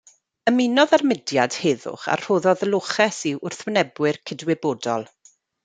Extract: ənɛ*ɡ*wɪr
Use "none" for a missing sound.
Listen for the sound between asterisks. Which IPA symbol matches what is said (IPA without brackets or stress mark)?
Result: b